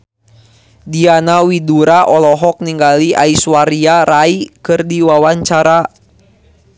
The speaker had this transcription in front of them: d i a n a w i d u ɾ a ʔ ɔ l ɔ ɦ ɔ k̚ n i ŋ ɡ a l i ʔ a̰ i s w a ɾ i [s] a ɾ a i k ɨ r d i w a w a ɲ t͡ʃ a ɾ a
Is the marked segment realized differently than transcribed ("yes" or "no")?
yes